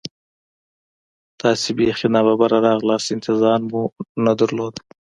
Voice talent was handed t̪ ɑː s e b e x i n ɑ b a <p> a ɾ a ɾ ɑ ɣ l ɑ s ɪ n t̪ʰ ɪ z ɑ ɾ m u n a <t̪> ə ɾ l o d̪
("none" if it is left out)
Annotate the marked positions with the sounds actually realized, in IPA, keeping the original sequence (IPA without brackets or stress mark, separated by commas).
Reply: b, d̪